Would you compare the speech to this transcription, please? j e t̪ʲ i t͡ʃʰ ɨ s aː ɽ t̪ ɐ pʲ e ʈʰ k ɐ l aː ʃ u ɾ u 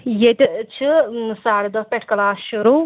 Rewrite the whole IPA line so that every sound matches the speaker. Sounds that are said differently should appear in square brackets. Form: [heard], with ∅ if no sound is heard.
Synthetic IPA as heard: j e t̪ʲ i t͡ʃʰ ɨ s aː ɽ [d̪] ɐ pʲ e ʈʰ k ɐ l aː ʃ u ɾ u